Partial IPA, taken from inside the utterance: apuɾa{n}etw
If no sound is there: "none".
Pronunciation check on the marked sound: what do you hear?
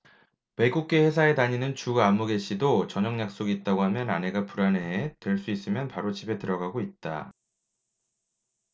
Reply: n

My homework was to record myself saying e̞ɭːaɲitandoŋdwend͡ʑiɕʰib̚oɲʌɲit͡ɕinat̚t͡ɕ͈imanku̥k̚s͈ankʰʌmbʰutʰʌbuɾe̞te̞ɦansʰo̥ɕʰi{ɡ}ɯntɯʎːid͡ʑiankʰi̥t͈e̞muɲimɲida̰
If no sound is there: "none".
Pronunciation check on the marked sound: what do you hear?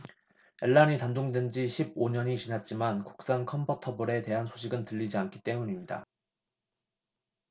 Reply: ɡ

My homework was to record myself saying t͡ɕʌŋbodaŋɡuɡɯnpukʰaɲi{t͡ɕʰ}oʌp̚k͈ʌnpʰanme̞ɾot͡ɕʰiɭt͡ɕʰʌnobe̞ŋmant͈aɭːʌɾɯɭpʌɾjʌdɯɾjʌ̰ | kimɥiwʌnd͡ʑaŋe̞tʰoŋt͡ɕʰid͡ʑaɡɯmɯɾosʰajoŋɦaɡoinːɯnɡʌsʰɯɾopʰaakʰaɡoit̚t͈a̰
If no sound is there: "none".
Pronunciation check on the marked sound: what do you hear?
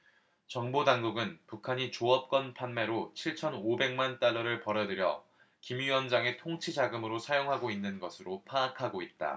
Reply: t͡ɕ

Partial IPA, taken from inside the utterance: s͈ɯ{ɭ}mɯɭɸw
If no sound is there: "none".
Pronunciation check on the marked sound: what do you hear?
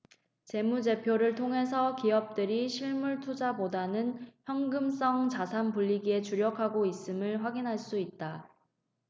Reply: none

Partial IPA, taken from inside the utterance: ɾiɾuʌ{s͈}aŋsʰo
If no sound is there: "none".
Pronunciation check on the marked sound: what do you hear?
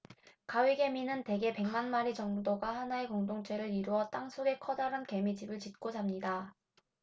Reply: t͈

